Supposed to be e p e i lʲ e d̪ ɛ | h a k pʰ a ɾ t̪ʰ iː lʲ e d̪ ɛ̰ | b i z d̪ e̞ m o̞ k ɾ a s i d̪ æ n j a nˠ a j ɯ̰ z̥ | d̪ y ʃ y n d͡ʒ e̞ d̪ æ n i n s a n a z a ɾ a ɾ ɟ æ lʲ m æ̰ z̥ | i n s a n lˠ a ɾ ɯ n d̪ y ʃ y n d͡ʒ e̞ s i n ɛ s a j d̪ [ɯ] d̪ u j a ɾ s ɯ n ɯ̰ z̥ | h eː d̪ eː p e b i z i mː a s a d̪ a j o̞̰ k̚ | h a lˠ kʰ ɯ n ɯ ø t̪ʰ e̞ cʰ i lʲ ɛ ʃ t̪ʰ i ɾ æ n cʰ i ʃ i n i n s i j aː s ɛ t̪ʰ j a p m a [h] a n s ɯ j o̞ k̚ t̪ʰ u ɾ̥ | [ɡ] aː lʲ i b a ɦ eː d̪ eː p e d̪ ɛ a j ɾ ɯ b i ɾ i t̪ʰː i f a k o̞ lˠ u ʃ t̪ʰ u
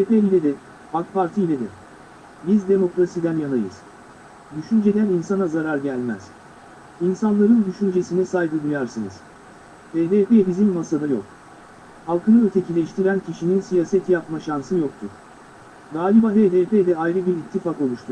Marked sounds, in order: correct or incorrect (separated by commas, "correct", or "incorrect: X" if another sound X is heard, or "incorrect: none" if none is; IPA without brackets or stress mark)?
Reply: correct, incorrect: ʃ, correct